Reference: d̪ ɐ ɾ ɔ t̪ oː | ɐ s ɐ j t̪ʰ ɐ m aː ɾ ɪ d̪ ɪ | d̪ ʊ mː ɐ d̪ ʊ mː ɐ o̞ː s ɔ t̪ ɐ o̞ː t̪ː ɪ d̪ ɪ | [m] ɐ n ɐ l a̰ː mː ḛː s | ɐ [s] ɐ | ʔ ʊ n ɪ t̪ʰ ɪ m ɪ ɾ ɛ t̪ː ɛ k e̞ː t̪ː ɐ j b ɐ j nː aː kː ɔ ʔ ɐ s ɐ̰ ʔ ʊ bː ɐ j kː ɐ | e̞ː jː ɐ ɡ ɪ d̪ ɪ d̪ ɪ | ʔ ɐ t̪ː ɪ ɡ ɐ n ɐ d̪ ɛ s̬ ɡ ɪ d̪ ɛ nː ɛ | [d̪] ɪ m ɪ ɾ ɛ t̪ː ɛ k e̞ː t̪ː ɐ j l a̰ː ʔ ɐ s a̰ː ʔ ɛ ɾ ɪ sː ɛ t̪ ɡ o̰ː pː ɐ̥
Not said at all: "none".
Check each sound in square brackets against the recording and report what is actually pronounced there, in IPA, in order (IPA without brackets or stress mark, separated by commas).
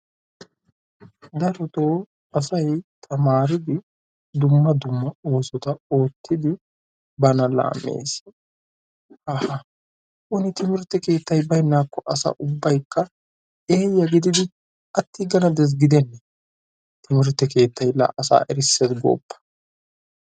b, h, t̪